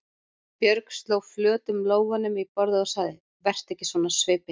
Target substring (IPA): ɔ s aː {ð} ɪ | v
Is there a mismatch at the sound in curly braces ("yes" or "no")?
no